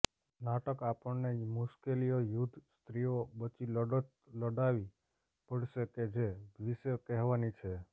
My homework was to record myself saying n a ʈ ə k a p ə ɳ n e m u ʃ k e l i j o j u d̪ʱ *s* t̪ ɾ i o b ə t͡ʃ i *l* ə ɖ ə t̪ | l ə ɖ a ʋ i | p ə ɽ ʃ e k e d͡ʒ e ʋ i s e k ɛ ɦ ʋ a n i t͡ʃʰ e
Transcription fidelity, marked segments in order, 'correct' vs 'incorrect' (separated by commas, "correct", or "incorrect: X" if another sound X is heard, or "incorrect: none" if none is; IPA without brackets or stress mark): correct, correct